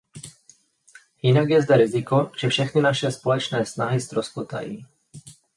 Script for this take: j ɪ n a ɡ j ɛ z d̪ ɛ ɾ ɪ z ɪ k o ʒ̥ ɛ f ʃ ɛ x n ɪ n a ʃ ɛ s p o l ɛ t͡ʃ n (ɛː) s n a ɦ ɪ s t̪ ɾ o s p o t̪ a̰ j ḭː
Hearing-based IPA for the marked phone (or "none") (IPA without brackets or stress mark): ɛː